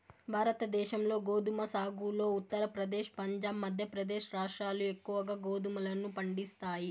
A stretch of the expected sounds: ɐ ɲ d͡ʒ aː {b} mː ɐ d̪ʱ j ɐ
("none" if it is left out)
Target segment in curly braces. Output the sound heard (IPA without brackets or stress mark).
b